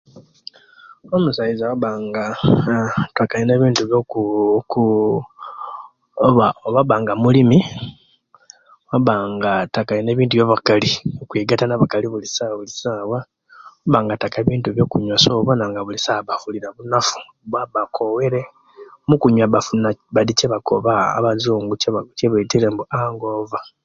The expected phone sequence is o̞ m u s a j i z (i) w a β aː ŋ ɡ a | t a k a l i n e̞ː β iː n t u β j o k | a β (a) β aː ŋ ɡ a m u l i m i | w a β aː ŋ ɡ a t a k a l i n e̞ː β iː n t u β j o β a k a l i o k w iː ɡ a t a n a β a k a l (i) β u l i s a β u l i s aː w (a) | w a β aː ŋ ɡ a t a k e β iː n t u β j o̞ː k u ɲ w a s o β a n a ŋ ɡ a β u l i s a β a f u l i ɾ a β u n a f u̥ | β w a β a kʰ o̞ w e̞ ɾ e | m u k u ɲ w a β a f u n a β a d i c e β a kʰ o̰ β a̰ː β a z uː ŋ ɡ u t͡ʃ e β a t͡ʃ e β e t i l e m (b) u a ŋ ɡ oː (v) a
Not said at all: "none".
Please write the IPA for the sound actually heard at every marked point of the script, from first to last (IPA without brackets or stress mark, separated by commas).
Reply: a, a, i, a, b, v